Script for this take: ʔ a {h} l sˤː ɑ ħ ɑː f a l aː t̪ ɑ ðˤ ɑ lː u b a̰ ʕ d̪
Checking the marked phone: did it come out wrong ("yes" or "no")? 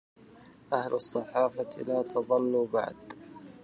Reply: no